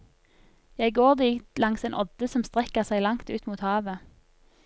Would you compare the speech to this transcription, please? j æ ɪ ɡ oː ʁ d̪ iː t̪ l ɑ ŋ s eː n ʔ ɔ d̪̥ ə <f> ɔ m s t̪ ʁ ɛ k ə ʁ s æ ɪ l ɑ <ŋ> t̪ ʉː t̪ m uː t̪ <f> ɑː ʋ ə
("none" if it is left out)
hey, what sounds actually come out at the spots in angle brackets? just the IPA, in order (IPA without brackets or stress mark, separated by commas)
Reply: s, ŋ, h